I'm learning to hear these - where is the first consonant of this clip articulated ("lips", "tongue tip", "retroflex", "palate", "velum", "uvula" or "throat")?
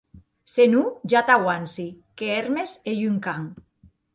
tongue tip